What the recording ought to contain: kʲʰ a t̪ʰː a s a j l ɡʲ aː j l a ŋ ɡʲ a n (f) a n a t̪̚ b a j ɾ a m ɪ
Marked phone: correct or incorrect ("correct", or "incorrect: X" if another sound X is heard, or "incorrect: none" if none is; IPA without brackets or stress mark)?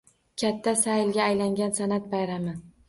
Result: incorrect: s